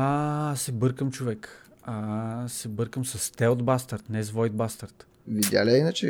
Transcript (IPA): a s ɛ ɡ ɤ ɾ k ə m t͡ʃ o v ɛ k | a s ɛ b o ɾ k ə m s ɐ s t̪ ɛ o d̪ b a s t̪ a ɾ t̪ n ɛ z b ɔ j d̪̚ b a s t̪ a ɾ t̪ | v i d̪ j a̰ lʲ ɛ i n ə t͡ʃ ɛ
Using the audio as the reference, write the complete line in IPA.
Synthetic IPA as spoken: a s ɛ b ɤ ɾ k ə m t͡ʃ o v ɛ k | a s ɛ b ɤ ɾ k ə m s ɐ s t̪ ɛ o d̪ b a s t̪ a ɾ t̪ n ɛ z v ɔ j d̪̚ b a s t̪ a ɾ t̪ | v i d̪ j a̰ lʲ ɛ i n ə t͡ʃ ɛ